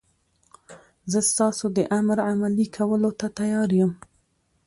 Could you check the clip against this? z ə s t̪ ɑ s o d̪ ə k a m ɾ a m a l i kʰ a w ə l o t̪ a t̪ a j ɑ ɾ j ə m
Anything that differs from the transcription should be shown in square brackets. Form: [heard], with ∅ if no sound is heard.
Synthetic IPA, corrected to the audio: z ə s t̪ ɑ s o d̪ ə [ʔ] a m ɾ a m a l i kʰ a w ə l o t̪ a t̪ a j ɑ ɾ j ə m